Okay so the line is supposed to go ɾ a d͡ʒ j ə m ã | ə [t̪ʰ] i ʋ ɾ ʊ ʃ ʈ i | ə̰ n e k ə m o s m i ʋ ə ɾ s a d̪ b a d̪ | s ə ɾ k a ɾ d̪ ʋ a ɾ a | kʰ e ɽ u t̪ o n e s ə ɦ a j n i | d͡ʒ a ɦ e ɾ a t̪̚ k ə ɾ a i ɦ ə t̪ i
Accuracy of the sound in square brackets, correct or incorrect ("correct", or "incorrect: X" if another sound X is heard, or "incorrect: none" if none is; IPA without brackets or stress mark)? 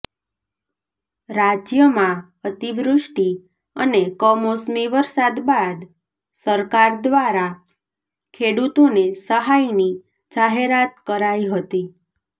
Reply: incorrect: t̪